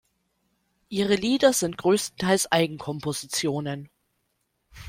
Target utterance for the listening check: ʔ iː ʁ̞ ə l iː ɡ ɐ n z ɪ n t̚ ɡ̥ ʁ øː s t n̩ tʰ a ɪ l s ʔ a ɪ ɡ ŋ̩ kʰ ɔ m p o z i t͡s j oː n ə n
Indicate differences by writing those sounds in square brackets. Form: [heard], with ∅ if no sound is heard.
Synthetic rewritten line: ʔ iː ʁ̞ ə l iː [d] ɐ [∅] z ɪ n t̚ ɡ̥ ʁ øː s t n̩ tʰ a ɪ l s ʔ a ɪ ɡ ŋ̩ kʰ ɔ m p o z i t͡s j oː n ə n

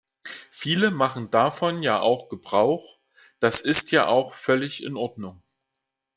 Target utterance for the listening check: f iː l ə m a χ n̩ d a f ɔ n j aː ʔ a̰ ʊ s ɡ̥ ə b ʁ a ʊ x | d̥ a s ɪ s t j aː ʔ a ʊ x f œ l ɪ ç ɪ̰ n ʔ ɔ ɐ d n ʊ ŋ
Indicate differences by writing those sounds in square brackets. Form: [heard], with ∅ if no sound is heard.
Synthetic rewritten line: f iː l ə m a χ n̩ d a f ɔ n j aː ʔ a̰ ʊ [x] ɡ̥ ə b ʁ a ʊ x | d̥ a s ɪ s t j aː ʔ a ʊ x f œ l ɪ ç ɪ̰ n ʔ ɔ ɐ d n ʊ ŋ

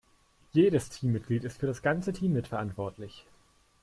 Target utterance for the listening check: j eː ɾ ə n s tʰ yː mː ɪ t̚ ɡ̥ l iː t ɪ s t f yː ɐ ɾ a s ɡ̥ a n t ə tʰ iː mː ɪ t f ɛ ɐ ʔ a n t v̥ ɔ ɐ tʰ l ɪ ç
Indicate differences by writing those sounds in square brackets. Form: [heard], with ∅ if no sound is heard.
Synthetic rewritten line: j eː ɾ ə [∅] s tʰ [iː] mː ɪ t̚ ɡ̥ l iː t ɪ s t f yː ɐ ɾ a s ɡ̥ a n [t͡s] ə tʰ iː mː ɪ t f ɛ ɐ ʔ a n t v̥ ɔ ɐ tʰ l ɪ ç

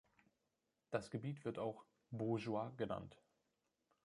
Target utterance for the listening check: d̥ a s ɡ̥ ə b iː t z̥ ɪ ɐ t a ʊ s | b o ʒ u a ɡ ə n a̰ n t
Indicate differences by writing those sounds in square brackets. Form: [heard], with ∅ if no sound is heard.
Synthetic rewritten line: d̥ a s ɡ̥ ə b iː t [v̥] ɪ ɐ t a ʊ [x] | b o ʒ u a ɡ ə n a̰ n t

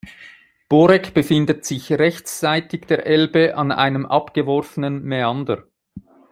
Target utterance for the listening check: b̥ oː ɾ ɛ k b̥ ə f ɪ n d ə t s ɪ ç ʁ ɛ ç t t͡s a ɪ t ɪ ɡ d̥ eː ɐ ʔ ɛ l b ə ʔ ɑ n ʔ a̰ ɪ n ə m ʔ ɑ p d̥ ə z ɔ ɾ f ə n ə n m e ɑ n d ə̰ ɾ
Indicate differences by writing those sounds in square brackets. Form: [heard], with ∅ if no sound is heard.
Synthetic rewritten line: b̥ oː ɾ ɛ k b̥ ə f ɪ n d ə t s ɪ ç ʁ ɛ ç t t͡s a ɪ t ɪ ɡ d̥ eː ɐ ʔ ɛ l b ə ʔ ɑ n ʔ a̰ ɪ n ə m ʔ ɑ p [ɡ̥] ə [v] ɔ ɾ f ə n ə n m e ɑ n d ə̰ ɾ

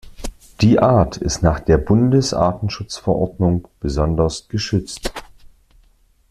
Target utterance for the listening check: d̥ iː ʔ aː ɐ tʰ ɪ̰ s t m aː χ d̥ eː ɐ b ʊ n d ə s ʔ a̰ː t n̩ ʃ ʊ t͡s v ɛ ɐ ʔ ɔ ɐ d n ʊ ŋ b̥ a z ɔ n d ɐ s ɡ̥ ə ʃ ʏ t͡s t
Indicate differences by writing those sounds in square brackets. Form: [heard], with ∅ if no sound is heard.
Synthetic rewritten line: d̥ iː ʔ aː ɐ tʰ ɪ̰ s t [n] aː χ d̥ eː ɐ b ʊ n d ə s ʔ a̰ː t n̩ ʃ ʊ t͡s [f] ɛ ɐ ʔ ɔ ɐ d n ʊ ŋ b̥ [ə] z ɔ n d ɐ s ɡ̥ ə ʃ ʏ t͡s t

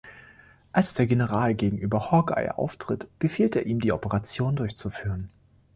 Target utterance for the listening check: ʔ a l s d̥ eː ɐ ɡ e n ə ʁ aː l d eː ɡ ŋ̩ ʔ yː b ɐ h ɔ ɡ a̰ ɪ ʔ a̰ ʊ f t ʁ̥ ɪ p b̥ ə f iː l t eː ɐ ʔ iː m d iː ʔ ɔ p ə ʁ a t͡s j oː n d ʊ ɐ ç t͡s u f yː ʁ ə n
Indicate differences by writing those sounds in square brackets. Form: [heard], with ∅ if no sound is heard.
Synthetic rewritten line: ʔ a l s d̥ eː ɐ ɡ e n ə ʁ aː l [ɡ] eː ɡ ŋ̩ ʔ yː b ɐ h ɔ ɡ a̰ ɪ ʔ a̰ ʊ f t ʁ̥ ɪ [t] b̥ ə f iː l t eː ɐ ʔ iː m d iː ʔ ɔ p ə ʁ a t͡s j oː n d ʊ ɐ ç t͡s u f yː ʁ ə n

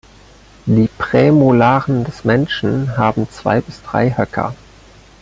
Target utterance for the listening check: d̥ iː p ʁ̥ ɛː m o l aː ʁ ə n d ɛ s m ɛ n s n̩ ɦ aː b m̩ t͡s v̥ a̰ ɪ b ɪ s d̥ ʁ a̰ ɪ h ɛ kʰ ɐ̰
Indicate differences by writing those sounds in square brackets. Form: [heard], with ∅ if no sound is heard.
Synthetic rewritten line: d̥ iː p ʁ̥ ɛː m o l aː ʁ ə n d ɛ s m ɛ n [ʃ] n̩ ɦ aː b m̩ t͡s v̥ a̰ ɪ b ɪ s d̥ ʁ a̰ ɪ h [œ] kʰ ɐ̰

